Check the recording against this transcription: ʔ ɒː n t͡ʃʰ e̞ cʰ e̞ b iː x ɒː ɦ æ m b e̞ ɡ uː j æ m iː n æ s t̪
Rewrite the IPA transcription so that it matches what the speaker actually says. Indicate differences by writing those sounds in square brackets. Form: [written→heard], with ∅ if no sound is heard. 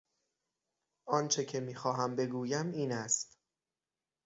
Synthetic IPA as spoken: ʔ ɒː n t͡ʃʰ e̞ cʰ e̞ [b→m] iː x ɒː ɦ æ m b e̞ ɡ uː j æ m iː n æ s t̪